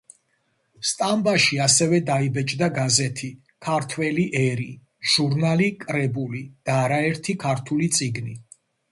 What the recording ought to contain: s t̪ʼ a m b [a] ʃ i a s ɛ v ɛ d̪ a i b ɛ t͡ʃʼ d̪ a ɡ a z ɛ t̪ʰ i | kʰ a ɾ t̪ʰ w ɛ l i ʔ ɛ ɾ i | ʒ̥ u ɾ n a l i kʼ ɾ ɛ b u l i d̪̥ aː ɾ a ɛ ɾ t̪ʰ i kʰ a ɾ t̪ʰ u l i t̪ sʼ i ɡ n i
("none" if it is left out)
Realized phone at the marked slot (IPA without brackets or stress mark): a